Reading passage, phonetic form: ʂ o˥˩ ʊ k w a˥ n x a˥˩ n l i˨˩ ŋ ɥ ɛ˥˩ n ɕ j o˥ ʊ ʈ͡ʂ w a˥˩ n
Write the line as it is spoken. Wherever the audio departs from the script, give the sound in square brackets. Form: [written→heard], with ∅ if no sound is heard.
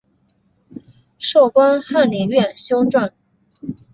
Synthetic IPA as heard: ʂ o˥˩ ʊ k w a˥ n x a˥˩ n l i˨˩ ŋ ɥ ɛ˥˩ n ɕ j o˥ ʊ ʈ͡ʂ w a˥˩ n